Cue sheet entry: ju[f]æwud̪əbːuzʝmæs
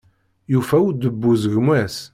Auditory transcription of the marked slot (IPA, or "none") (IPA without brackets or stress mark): f